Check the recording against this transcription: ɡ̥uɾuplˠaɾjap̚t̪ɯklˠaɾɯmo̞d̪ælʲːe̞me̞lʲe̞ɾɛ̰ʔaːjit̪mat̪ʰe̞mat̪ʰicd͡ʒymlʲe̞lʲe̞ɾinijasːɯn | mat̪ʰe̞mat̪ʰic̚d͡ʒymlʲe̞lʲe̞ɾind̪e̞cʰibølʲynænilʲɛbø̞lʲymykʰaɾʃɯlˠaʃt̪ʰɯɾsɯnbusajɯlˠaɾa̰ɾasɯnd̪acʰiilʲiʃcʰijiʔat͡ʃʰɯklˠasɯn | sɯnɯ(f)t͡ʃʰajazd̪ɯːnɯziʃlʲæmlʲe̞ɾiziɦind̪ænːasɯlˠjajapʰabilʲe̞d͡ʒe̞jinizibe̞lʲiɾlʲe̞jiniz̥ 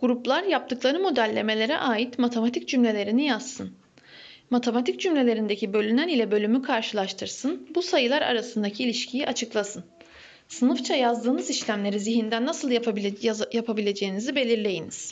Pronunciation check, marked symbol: correct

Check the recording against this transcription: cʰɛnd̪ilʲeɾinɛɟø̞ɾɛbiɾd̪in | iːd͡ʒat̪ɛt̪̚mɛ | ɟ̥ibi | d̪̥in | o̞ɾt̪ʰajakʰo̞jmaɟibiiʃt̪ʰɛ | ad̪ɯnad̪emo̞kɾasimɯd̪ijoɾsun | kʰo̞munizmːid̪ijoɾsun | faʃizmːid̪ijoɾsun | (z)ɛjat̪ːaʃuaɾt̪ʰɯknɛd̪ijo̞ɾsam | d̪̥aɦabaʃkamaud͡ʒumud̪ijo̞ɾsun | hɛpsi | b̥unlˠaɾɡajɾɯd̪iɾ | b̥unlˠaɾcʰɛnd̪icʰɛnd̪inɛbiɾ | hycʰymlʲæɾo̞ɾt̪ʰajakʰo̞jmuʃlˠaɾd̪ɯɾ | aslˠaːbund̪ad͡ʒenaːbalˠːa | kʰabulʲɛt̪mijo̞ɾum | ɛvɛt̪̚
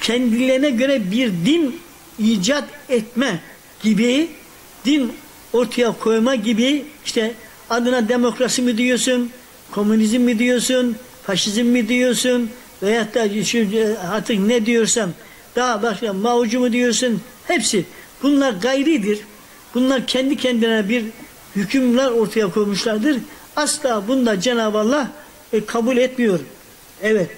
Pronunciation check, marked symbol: incorrect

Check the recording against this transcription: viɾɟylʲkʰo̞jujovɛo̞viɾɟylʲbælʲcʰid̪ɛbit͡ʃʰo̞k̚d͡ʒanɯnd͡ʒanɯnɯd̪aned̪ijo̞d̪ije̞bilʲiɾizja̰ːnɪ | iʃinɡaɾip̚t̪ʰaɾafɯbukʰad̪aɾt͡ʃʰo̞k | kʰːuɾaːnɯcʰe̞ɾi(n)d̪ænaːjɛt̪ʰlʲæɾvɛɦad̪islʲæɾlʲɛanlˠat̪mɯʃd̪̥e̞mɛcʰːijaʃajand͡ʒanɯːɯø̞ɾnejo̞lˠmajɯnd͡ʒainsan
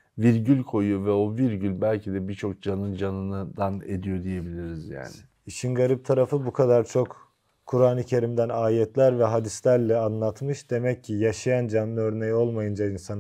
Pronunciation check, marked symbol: incorrect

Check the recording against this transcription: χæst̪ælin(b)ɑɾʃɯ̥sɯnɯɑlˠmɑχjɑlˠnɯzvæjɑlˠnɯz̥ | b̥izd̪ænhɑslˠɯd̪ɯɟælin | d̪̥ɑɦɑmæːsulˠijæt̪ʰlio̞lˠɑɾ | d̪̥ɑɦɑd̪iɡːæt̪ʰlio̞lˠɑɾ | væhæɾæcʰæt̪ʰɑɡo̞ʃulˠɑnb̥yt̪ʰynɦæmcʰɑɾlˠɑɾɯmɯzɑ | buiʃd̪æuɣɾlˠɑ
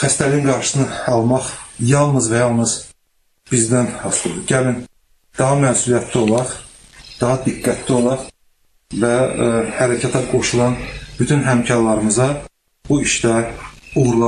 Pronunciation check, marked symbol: incorrect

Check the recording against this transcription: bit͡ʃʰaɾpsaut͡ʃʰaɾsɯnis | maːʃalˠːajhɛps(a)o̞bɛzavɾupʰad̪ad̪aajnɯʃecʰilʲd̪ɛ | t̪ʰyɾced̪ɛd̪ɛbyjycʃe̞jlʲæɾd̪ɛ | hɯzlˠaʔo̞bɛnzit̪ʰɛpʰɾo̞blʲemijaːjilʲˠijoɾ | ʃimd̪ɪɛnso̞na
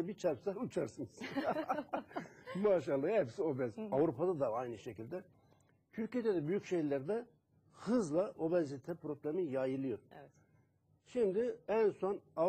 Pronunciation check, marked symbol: incorrect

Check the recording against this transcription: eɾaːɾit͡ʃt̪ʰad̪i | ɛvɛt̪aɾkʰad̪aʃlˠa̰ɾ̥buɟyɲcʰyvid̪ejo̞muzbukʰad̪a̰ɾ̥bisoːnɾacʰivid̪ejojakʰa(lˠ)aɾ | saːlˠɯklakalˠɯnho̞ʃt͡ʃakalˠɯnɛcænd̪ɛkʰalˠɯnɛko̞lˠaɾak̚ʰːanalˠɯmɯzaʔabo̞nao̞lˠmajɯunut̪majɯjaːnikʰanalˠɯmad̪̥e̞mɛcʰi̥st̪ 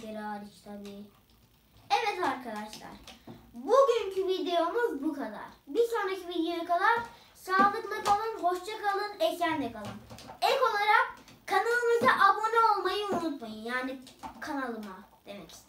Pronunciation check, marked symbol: correct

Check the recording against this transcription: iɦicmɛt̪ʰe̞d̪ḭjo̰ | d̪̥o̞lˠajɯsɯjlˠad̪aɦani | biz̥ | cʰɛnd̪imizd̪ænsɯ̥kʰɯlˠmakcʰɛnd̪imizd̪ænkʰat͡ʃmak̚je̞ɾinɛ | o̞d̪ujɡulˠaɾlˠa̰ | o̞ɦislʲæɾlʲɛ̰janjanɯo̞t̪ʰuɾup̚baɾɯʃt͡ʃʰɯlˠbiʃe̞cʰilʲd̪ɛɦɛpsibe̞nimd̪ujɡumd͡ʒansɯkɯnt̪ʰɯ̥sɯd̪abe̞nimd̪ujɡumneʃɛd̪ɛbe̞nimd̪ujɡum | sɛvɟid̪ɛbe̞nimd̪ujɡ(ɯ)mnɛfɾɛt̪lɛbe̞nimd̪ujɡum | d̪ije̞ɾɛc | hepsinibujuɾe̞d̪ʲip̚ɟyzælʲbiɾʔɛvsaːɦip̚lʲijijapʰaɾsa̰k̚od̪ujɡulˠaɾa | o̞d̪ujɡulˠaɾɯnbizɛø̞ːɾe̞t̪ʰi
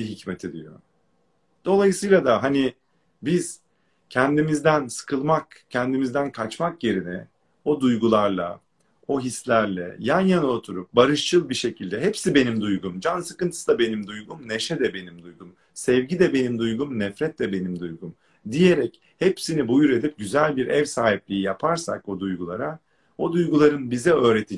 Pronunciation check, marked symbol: incorrect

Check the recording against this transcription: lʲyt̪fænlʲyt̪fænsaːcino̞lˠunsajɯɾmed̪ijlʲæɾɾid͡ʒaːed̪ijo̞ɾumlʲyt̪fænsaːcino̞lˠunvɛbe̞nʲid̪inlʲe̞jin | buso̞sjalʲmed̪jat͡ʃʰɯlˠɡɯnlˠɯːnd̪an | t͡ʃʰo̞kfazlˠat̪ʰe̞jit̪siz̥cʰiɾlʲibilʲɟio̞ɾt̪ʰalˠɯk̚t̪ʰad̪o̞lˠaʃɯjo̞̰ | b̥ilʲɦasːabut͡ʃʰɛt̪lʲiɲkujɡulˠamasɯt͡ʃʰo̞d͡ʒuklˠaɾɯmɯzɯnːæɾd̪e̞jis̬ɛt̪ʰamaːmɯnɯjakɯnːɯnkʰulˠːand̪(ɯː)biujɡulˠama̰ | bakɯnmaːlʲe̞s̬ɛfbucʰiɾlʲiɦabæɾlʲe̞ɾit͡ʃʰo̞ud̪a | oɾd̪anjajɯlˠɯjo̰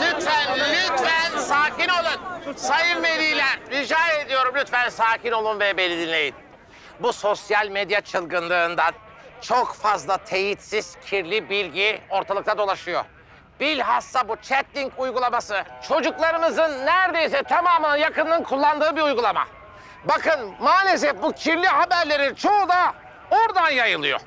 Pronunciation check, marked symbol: correct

